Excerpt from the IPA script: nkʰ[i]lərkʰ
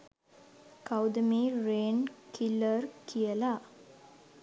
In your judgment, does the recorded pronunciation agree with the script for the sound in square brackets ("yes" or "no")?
yes